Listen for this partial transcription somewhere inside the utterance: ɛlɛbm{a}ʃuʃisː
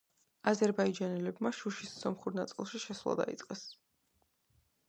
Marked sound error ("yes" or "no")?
no